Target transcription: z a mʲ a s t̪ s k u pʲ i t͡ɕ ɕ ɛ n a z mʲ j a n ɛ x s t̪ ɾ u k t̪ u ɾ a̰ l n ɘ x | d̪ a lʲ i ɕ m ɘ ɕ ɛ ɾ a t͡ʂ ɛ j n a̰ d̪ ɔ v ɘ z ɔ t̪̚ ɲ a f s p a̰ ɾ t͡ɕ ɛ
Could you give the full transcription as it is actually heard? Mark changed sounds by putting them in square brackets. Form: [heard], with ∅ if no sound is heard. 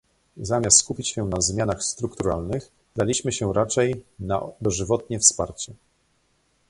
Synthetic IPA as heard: z a mʲ a s t̪ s k u pʲ i t͡ɕ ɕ ɛ n a z mʲ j a n [a] x s t̪ ɾ u k t̪ u ɾ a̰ l n ɘ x | d̪ a lʲ i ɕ m ɘ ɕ ɛ ɾ a t͡ʂ ɛ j n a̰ d̪ ɔ [ʐ] ɘ [v] ɔ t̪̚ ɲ [ɛ] f s p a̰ ɾ t͡ɕ ɛ